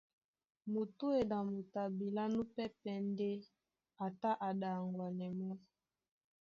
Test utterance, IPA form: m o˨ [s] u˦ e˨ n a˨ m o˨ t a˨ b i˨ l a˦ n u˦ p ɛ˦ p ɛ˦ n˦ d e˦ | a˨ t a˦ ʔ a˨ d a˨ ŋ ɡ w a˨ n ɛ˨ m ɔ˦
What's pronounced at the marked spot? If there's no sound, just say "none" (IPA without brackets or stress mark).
t